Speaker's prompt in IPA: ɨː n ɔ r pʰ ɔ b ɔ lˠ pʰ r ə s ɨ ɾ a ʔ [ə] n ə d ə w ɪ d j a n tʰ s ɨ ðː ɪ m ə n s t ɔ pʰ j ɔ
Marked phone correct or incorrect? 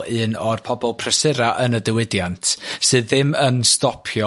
correct